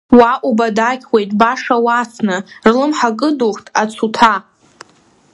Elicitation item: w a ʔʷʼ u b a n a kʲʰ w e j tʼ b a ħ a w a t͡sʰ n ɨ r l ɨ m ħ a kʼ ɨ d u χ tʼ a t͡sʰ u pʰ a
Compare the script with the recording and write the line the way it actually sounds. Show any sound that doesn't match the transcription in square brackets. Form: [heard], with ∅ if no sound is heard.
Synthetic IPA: w a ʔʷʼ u b a [d] a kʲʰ w e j tʼ b a [ʂ] a w a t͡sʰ n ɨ r l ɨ m ħ a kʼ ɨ d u χ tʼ a t͡sʰ u [tʰ] a